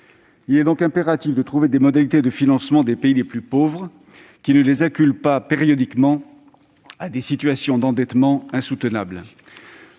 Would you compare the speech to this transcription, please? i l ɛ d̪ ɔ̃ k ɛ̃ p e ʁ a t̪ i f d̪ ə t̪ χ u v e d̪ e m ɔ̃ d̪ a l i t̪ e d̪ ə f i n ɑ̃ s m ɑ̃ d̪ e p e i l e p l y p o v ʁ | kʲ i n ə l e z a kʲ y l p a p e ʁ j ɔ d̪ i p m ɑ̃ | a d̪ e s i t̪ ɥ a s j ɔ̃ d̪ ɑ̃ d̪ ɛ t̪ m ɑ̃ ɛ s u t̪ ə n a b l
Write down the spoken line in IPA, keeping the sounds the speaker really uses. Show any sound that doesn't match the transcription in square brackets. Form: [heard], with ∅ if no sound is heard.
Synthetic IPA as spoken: i l ɛ d̪ ɔ̃ k ɛ̃ p e ʁ a t̪ i f d̪ ə t̪ χ u v e d̪ e m [ɔ] d̪ a l i t̪ e d̪ ə f i n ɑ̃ s m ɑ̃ d̪ e p e i l e p l y p o v ʁ | kʲ i n ə l e z a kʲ y l p a p e ʁ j ɔ d̪ i [k] m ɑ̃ | a d̪ e s i t̪ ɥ a s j ɔ̃ d̪ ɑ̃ d̪ ɛ t̪ m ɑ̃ [ɛ̃] s u t̪ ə n a b l